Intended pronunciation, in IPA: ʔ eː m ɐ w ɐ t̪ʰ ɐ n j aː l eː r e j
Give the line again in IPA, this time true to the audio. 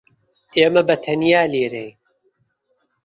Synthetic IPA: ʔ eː m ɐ b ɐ t̪ʰ ɐ n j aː l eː ɾ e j

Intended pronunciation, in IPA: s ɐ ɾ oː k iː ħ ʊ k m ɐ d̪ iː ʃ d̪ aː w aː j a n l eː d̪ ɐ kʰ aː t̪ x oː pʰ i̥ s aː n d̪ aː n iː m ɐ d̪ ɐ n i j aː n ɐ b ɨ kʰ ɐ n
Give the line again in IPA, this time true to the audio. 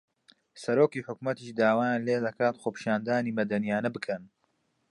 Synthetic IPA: s ɐ ɾ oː k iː ħ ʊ k m ɐ t̪ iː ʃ d̪ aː w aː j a n l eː d̪ ɐ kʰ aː t̪ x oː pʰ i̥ ʃ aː n d̪ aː n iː m ɐ d̪ ɐ n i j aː n ɐ b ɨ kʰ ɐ n

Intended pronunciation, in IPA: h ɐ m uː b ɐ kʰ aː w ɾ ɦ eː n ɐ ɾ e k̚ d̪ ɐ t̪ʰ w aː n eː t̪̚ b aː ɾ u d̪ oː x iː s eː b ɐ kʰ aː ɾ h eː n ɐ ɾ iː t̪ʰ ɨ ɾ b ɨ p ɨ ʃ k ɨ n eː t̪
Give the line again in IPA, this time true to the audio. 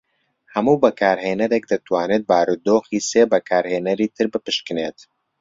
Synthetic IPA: h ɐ m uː b ɐ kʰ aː ɾ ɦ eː n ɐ ɾ e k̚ d̪ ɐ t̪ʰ w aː n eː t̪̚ b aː ɾ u d̪ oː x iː s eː b ɐ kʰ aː ɾ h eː n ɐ ɾ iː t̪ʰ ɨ ɾ b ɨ p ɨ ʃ k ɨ n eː t̪

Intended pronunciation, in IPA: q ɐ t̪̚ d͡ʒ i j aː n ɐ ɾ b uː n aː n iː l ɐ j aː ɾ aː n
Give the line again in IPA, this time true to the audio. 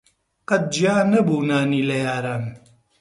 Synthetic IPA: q ɐ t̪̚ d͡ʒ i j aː n ɐ b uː n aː n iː l ɐ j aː ɾ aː n

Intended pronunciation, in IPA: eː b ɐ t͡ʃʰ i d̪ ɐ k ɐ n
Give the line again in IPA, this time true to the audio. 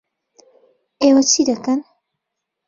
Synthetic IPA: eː w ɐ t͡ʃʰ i d̪ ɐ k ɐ n

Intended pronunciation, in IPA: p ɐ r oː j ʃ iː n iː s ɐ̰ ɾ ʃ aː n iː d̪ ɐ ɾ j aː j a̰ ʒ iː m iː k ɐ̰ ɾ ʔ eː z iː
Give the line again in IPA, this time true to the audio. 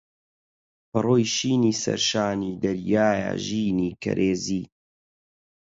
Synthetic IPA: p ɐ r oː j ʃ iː n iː s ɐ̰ ɾ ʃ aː n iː d̪ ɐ ɾ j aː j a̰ ʒ iː n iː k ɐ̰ ɾ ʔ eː z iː

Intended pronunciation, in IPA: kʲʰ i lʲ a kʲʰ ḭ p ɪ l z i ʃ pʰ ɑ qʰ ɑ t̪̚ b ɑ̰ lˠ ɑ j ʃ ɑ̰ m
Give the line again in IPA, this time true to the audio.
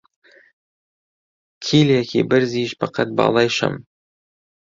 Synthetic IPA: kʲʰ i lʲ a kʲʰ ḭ b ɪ ɾ z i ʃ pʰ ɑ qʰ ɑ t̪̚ b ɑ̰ lˠ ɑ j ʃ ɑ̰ m

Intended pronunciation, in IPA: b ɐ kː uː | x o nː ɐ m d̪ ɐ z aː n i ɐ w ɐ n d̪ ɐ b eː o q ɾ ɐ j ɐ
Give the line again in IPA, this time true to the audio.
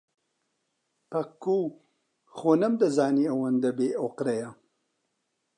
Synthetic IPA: p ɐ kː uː | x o n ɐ m d̪ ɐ z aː n i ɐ w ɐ n d̪ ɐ b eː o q ɾ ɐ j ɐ

